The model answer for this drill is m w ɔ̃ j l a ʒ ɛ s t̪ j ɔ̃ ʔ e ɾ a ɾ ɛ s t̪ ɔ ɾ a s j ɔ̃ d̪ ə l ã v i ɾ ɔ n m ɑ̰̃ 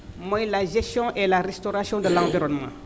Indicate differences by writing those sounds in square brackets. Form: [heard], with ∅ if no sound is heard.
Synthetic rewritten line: m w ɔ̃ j l a ʒ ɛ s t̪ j ɔ̃ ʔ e [l] a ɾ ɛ s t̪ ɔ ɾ a s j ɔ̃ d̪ ə l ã v i ɾ ɔ n m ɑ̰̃